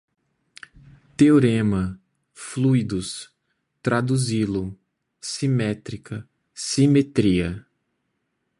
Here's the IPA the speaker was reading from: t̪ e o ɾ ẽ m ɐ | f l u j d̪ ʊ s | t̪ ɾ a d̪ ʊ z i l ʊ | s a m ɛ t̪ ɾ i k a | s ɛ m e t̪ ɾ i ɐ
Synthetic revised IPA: t̪ e o ɾ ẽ m ɐ | f l u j d̪ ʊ s | t̪ ɾ a d̪ u z i l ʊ | s i m ɛ t̪ ɾ i k ɐ | s i m e t̪ ɾ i ɐ